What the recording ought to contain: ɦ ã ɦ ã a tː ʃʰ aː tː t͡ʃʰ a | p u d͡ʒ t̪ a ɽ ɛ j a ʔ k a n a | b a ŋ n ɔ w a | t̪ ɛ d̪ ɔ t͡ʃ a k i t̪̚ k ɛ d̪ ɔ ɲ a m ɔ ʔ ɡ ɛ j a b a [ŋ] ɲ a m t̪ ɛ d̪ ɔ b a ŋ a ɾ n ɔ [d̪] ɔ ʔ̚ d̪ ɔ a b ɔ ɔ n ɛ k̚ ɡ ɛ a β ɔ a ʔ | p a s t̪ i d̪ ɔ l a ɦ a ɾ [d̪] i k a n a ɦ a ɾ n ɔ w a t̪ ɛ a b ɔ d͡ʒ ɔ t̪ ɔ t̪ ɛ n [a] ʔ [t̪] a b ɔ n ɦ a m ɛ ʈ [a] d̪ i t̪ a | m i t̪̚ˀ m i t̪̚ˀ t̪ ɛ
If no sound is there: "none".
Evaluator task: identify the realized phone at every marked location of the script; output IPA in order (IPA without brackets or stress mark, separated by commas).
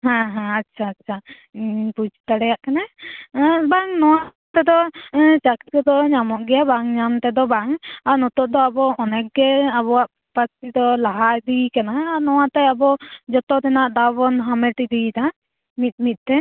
ŋ, t̪, d̪, a, d̪, i